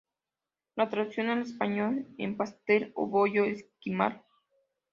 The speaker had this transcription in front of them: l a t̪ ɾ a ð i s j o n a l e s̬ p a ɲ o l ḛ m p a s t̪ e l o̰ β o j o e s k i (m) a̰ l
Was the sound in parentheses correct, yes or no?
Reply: yes